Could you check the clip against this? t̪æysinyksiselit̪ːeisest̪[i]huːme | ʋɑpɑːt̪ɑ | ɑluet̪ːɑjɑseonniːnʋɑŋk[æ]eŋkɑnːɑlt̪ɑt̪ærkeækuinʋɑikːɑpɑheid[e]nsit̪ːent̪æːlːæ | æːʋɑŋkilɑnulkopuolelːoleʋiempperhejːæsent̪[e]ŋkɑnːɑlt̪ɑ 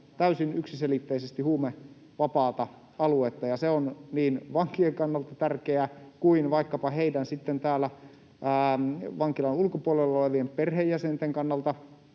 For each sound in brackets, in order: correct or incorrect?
correct, incorrect: i, incorrect: æ, correct

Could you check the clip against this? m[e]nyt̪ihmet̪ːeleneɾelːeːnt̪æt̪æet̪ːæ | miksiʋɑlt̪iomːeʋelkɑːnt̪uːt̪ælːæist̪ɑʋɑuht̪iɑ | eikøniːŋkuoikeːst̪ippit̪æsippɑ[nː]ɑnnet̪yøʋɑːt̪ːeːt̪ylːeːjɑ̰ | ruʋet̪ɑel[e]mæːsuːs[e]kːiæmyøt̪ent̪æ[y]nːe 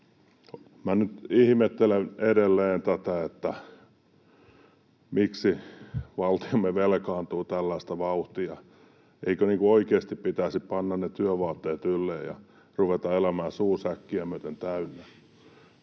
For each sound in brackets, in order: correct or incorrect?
incorrect: æ, correct, incorrect: æ, incorrect: æ, correct

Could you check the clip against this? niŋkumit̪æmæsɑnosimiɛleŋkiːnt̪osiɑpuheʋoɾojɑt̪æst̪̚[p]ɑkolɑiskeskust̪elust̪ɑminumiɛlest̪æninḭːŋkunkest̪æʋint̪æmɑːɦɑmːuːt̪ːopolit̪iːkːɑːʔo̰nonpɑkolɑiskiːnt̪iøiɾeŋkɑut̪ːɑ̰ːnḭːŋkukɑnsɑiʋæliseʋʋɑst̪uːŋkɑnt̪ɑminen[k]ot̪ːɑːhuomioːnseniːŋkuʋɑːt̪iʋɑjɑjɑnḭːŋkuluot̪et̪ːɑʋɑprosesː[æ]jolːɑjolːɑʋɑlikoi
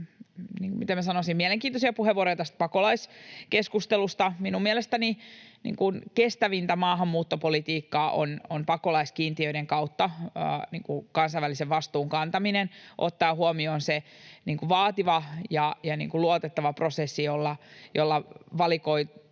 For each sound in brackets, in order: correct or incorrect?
correct, incorrect: ʔ, incorrect: i

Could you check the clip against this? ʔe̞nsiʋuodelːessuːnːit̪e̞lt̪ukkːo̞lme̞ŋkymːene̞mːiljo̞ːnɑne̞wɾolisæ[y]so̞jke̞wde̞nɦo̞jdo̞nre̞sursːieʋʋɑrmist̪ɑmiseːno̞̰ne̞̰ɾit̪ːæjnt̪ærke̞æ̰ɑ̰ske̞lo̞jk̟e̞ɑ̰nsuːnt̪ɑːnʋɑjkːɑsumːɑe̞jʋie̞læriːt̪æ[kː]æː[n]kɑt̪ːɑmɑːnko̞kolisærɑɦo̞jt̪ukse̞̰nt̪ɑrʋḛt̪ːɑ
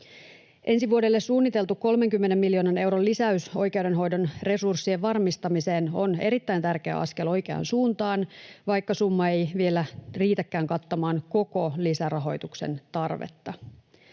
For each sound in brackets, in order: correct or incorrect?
correct, correct, incorrect: ŋ

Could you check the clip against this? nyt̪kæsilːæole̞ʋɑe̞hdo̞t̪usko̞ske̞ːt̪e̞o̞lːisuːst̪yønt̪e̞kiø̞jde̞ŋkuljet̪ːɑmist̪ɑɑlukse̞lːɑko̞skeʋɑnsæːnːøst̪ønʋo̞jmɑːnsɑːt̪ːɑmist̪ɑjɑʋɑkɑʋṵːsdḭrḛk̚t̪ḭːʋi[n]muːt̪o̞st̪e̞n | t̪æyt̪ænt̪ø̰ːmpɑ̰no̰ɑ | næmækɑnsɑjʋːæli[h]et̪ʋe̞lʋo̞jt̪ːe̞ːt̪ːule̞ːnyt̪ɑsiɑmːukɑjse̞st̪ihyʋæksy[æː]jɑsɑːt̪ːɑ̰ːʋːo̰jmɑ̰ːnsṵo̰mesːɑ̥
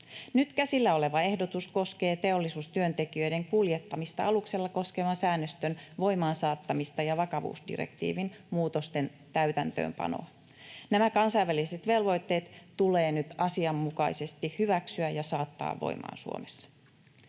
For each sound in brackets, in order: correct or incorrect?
correct, incorrect: s, incorrect: æ

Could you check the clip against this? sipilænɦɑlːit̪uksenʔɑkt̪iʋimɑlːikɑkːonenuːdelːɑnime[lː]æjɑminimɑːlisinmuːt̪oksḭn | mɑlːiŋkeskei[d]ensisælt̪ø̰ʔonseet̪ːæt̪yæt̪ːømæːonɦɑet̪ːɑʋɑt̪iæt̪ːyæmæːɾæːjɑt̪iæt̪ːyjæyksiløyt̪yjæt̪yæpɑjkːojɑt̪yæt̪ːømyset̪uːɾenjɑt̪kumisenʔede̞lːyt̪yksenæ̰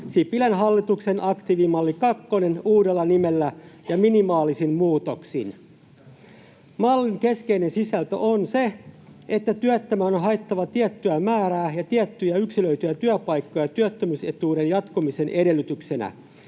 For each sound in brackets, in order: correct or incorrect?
correct, incorrect: n

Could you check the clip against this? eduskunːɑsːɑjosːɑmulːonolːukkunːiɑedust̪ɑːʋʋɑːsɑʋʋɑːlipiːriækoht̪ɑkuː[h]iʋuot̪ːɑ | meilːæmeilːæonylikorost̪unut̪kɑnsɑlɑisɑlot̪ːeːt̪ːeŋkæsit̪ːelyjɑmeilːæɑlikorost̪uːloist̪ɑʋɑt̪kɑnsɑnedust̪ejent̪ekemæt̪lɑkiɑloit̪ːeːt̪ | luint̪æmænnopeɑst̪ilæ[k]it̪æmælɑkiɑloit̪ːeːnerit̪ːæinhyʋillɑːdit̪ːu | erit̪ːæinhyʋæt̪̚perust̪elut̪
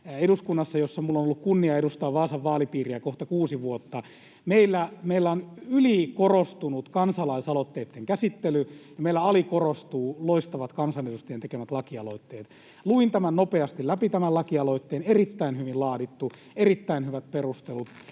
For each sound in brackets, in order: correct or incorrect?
incorrect: s, incorrect: p

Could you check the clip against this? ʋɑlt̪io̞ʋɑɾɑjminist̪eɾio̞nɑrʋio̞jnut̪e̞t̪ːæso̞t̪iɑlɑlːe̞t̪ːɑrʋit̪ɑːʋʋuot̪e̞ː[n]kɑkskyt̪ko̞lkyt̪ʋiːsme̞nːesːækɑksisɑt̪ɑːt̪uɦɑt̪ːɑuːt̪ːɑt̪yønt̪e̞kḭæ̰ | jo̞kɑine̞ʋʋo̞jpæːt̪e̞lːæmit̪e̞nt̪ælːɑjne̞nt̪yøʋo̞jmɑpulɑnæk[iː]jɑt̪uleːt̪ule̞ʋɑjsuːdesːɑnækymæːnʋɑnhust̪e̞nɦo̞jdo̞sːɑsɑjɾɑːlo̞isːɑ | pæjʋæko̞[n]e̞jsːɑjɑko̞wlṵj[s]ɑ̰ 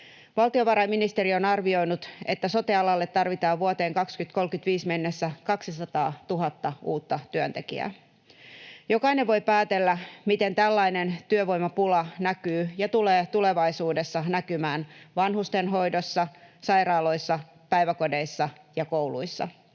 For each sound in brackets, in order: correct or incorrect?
incorrect: ŋ, incorrect: yː, incorrect: d, incorrect: sː

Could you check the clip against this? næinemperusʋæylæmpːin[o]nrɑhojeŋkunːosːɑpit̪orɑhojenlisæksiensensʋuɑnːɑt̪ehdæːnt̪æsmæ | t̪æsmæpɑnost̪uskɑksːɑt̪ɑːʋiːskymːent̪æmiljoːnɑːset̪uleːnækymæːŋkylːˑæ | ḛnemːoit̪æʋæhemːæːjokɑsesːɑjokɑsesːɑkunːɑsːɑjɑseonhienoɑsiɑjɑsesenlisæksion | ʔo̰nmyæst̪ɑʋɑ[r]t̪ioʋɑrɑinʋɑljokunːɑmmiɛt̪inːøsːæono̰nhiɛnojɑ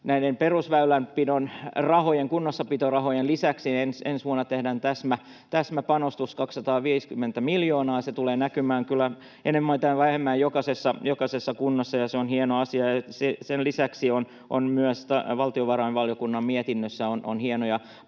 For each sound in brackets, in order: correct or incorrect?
correct, incorrect: l

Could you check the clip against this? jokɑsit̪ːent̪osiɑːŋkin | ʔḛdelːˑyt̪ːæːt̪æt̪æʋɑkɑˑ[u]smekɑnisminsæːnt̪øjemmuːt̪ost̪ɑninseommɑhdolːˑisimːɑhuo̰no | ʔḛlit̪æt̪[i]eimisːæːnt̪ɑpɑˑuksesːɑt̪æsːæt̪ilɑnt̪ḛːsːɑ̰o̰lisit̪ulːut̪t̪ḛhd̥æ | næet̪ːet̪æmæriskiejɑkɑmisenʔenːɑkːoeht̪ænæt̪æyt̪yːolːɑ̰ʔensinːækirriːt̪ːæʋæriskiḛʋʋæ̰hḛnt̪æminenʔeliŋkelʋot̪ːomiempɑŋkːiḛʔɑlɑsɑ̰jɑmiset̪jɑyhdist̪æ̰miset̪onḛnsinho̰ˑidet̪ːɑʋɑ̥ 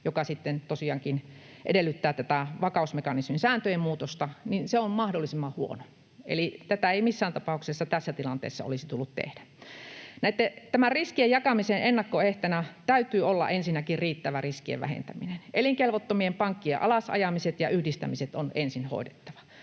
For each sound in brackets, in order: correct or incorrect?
correct, incorrect: æ

